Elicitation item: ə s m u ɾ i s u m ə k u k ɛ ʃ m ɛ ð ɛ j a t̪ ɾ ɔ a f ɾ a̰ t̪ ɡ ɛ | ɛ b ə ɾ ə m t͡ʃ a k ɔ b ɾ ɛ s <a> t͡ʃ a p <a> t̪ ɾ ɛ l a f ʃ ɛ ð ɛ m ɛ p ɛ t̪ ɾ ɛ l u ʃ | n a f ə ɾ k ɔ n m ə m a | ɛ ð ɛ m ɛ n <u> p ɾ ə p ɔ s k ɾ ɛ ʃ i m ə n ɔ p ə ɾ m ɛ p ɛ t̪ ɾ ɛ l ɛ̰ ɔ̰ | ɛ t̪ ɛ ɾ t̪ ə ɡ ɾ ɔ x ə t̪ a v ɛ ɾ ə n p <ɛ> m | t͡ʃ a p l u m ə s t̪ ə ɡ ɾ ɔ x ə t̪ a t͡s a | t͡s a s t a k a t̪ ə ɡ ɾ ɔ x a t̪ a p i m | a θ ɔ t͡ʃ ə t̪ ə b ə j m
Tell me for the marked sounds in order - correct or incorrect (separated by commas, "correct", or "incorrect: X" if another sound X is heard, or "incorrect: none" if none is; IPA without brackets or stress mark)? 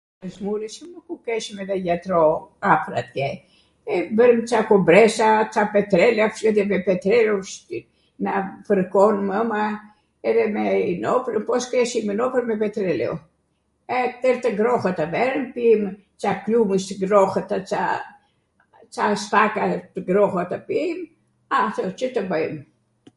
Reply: correct, incorrect: ɛ, incorrect: ɔ, incorrect: i